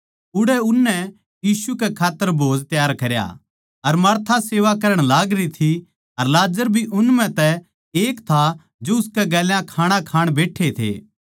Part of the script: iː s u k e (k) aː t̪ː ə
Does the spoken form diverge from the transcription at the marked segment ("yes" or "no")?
yes